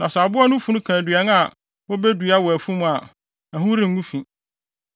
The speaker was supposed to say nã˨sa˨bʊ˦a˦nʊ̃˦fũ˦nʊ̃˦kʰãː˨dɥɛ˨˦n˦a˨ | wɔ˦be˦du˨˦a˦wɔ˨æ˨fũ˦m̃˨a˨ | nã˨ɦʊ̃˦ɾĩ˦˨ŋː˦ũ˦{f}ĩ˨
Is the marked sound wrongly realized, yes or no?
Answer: no